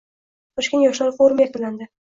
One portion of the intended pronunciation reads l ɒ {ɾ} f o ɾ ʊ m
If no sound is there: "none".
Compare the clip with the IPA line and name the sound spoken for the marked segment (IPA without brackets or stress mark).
ɾ